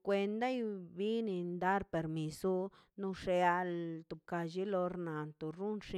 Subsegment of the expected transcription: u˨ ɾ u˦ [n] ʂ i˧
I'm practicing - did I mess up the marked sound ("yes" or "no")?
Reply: no